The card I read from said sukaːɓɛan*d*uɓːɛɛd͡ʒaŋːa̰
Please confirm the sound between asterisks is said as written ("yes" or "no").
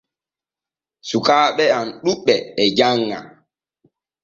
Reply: no